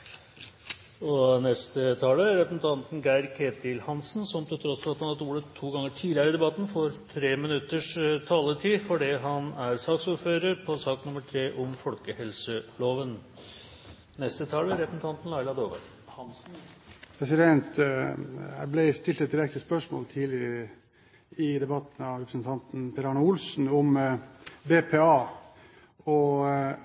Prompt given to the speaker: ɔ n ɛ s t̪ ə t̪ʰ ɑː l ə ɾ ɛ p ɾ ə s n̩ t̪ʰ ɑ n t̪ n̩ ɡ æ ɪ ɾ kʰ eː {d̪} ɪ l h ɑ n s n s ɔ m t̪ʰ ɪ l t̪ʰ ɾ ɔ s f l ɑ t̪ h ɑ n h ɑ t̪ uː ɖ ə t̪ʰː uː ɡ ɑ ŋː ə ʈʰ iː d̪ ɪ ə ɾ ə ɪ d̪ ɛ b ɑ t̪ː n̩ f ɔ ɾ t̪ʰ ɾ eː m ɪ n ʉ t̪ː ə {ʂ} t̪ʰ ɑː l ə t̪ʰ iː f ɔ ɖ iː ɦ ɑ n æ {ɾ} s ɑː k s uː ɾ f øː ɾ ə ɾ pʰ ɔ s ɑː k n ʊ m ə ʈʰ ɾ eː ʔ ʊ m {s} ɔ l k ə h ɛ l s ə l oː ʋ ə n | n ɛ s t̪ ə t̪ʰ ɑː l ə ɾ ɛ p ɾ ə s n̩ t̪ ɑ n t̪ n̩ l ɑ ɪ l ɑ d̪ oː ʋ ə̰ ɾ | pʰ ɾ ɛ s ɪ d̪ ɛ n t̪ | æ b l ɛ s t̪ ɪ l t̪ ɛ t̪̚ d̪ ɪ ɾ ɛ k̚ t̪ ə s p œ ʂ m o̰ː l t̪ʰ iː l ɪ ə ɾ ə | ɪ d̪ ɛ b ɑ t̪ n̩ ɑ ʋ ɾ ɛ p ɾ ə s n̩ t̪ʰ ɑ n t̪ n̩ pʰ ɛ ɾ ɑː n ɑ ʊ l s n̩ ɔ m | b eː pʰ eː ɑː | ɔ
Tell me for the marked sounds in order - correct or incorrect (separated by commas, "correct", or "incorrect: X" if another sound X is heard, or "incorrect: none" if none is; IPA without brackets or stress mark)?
incorrect: t̪, correct, correct, incorrect: f